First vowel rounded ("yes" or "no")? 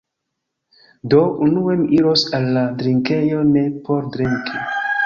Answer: yes